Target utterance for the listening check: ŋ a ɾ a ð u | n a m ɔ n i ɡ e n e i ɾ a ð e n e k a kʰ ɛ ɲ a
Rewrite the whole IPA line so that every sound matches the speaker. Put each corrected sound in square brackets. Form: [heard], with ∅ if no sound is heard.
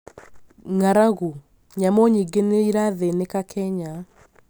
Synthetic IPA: ŋ a ɾ a [ɣ] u | [ɲ] a m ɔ [ɲ] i ɡ e n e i ɾ a ð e n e k a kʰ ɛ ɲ a